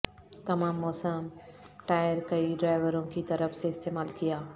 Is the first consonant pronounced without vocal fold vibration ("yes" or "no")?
yes